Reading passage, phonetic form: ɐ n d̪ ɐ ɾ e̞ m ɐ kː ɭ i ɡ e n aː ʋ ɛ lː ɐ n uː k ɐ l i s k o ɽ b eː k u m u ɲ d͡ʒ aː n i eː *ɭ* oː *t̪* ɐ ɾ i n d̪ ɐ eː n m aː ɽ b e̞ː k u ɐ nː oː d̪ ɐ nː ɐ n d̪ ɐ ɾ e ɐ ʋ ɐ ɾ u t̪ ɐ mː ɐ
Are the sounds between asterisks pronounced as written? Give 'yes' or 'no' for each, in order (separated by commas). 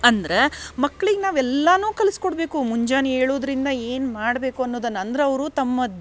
yes, no